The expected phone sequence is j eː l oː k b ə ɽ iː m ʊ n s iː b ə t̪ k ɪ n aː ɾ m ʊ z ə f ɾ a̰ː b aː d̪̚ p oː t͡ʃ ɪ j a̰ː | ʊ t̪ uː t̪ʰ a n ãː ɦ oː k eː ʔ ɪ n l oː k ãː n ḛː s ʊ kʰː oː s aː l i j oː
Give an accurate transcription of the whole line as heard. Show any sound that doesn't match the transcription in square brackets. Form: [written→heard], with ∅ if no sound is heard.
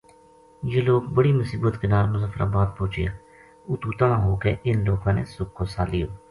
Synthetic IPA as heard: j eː l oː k b ə ɽ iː m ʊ [n→∅] s iː b ə t̪ k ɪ n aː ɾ m ʊ z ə f ɾ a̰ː b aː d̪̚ p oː t͡ʃ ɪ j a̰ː | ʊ t̪ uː [t̪ʰ→t̪] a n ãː ɦ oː k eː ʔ ɪ n l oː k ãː n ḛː s ʊ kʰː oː s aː l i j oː